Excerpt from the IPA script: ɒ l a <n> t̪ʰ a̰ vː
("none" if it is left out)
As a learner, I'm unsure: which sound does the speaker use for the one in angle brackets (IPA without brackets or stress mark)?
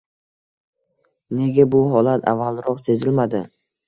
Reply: none